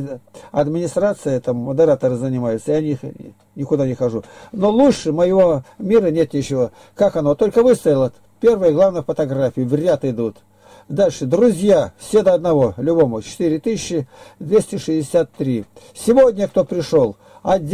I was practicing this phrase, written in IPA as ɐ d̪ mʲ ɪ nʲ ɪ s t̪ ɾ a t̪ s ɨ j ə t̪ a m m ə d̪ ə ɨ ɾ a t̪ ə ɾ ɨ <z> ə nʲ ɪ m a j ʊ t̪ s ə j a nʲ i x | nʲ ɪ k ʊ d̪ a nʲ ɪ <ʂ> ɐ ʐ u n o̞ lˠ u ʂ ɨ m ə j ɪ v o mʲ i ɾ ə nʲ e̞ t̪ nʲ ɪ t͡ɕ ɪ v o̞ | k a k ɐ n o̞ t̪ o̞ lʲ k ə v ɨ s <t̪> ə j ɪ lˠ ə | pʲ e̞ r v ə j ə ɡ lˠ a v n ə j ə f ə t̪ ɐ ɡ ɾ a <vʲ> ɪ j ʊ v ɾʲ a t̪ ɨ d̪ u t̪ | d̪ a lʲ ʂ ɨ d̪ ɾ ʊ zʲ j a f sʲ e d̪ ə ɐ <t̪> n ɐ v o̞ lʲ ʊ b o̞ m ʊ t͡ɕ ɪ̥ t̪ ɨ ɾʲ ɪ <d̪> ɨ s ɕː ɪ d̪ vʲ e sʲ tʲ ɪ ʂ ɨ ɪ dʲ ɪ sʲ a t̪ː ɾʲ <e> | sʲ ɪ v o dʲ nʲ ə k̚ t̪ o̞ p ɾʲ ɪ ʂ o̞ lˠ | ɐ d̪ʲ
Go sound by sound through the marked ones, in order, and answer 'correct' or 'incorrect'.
correct, incorrect: x, correct, incorrect: fʲ, incorrect: d̪, incorrect: t̪, incorrect: i

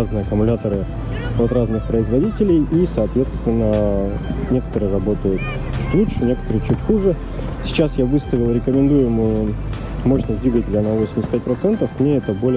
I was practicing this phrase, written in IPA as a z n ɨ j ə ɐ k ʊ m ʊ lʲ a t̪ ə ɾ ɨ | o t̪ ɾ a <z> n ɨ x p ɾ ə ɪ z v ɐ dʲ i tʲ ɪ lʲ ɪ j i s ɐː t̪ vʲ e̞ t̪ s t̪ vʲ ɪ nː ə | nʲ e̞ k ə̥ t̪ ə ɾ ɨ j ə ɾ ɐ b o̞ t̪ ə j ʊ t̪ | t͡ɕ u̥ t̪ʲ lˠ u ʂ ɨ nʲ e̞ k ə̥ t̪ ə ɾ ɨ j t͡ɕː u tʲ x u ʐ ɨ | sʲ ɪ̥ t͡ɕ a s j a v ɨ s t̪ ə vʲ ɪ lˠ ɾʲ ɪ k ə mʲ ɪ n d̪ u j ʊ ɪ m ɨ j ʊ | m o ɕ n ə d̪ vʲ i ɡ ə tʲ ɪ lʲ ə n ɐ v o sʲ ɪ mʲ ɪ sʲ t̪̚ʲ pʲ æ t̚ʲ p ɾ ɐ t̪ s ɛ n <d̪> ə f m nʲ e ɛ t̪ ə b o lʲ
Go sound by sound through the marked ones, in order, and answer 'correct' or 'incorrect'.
correct, incorrect: t̪

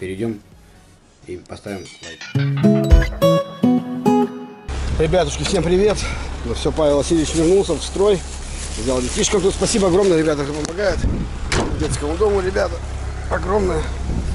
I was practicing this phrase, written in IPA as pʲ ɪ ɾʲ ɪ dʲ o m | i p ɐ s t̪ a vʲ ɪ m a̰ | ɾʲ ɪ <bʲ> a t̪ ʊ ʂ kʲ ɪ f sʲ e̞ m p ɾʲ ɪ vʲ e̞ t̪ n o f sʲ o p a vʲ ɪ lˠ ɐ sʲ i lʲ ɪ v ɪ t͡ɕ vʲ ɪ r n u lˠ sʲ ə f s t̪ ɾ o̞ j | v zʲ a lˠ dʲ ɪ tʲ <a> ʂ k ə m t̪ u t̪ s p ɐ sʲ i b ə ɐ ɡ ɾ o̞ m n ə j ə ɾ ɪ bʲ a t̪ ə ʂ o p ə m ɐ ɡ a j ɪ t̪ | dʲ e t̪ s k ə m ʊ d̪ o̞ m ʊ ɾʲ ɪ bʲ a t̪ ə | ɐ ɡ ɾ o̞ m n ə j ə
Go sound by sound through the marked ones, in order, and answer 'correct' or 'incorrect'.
correct, incorrect: i

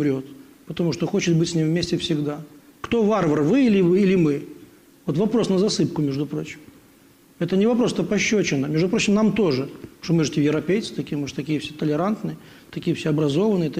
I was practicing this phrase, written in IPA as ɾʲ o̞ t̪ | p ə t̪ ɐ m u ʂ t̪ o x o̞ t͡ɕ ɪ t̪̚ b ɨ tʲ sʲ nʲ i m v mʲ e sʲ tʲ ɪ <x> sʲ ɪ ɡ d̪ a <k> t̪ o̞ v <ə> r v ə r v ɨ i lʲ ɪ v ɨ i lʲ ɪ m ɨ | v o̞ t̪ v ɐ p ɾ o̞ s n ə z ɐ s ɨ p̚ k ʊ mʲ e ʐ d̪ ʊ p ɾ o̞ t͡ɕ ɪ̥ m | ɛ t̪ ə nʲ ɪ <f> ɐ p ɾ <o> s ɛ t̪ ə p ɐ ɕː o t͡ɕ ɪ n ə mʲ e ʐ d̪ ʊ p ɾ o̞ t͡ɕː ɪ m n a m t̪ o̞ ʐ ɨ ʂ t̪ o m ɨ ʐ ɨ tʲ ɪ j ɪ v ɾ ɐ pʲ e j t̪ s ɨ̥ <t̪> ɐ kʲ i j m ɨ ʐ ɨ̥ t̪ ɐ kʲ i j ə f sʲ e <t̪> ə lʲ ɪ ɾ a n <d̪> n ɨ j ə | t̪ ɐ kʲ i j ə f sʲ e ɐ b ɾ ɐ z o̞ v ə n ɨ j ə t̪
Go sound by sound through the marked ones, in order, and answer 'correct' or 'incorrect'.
incorrect: f, correct, incorrect: a, incorrect: v, correct, correct, correct, incorrect: t̪

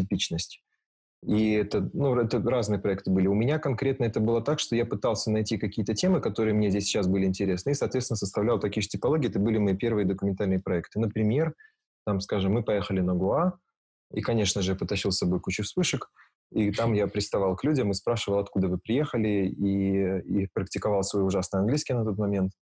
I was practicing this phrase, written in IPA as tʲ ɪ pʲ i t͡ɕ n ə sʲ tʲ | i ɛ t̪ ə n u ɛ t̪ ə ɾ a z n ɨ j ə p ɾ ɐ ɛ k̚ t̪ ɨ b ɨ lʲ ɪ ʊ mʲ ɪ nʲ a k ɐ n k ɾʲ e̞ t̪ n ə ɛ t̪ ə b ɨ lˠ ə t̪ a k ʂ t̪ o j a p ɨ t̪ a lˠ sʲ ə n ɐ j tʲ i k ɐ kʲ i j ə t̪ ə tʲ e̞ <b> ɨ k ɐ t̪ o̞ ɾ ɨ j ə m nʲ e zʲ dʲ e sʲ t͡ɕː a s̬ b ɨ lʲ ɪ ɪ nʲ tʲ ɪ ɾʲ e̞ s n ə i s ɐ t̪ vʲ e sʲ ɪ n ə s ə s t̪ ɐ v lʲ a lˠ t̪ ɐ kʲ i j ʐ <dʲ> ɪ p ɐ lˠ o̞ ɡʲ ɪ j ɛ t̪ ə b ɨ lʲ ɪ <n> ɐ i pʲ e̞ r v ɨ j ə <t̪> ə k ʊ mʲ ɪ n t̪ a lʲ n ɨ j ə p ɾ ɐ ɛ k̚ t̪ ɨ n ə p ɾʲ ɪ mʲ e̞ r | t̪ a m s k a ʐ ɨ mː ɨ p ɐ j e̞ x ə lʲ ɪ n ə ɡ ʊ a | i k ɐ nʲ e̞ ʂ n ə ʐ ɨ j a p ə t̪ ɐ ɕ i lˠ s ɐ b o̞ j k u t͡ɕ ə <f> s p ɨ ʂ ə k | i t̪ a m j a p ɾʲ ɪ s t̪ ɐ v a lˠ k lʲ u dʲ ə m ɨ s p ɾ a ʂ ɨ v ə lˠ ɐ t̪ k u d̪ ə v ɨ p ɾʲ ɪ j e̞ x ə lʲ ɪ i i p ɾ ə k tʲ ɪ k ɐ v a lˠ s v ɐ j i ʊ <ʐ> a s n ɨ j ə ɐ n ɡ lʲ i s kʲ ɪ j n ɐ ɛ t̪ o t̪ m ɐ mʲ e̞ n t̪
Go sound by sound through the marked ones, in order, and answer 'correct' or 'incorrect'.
incorrect: m, incorrect: tʲ, incorrect: m, incorrect: d̪, correct, correct

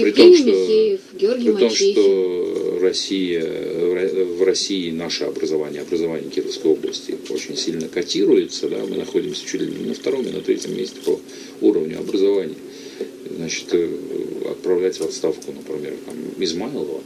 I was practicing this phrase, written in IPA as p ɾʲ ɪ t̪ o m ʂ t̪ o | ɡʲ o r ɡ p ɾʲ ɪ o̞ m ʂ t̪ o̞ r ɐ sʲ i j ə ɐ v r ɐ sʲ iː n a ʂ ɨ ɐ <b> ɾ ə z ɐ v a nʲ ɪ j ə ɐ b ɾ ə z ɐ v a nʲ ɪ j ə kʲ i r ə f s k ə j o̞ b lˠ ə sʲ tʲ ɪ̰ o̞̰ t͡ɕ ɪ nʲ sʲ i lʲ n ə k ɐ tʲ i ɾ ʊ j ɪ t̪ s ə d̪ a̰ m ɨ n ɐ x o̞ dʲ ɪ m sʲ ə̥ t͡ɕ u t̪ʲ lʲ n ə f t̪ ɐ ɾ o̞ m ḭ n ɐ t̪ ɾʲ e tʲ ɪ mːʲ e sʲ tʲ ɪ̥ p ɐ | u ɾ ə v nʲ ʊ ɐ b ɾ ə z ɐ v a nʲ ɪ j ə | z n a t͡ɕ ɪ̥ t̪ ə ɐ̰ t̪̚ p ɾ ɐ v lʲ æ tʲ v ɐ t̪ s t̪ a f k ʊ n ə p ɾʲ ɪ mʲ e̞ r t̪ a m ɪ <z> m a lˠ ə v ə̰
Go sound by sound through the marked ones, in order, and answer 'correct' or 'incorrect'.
correct, correct

